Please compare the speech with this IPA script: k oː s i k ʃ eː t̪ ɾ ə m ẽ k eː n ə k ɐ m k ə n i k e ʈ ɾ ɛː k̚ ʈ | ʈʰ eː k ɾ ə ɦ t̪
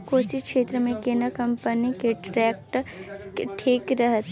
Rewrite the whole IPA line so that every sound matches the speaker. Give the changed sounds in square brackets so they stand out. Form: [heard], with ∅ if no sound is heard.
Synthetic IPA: k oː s i k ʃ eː t̪ ɾ ə m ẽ k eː n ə k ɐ m [p] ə n i k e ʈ ɾ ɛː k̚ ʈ | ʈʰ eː k ɾ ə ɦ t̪